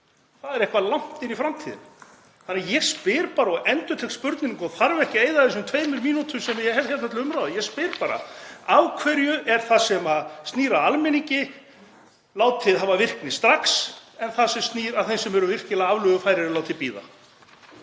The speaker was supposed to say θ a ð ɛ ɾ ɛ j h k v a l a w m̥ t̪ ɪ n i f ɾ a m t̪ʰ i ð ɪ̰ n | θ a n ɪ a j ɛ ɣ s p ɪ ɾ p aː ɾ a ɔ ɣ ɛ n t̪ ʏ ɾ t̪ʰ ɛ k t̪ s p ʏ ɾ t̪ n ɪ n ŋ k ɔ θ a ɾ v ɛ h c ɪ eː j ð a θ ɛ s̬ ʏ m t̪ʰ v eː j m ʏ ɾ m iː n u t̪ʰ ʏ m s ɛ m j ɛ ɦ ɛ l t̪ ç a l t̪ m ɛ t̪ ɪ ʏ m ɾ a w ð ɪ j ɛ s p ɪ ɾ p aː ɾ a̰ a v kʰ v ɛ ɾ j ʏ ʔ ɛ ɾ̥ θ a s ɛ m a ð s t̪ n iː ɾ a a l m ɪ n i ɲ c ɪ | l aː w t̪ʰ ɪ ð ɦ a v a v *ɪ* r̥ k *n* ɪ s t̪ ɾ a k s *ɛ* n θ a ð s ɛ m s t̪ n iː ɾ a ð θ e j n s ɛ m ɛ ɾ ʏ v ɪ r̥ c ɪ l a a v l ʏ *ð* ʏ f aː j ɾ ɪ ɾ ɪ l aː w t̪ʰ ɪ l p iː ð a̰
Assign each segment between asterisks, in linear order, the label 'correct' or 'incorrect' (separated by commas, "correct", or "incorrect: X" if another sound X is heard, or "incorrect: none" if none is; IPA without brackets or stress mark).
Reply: correct, correct, correct, incorrect: ɣ